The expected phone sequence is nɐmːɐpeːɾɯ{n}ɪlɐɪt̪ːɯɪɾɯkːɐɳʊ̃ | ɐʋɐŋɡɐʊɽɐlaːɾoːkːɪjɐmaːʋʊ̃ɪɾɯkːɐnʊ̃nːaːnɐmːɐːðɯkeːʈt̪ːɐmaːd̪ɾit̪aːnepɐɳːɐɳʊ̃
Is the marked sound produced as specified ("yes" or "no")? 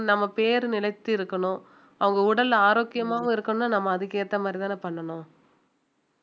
yes